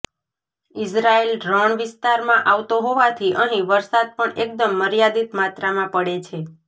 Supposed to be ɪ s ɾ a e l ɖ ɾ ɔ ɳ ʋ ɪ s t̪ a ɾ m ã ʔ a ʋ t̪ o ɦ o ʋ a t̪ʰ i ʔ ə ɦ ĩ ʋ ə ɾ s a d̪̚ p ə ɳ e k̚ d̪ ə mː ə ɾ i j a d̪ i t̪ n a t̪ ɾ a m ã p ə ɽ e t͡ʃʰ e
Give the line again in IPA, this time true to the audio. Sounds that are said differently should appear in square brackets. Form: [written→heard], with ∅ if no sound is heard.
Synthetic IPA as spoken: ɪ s ɾ a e l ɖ ɾ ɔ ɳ ʋ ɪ s t̪ a ɾ m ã ʔ a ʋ t̪ o ɦ o ʋ a t̪ʰ i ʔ ə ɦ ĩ ʋ ə ɾ s a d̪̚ p ə ɳ e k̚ d̪ ə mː ə ɾ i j a d̪ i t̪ [n→m] a t̪ ɾ a m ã p ə ɽ e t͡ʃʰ e